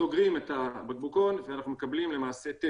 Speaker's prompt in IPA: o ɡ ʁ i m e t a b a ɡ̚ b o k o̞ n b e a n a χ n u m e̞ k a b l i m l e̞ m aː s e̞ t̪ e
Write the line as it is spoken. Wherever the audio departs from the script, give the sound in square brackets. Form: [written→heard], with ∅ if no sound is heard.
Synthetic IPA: o ɡ ʁ i m e t a b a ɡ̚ b [o→u] k o̞ n [b→v] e a n a χ n u m e̞ k a b l i m l e̞ m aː s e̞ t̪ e